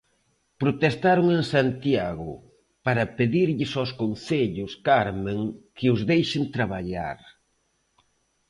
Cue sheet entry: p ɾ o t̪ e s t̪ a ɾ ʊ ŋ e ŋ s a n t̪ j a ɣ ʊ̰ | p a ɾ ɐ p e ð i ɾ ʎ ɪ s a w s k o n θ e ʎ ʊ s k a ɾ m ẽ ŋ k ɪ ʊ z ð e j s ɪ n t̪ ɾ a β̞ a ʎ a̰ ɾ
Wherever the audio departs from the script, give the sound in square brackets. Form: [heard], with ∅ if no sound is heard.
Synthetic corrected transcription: p ɾ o t̪ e s t̪ a ɾ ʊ ŋ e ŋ s a n t̪ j a ɣ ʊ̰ | p a ɾ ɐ p e ð i ɾ ʎ ɪ s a w s k o n θ e ʎ ʊ s k a ɾ m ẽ ŋ k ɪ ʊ z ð e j [ʃ] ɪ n t̪ ɾ a β̞ a ʎ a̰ ɾ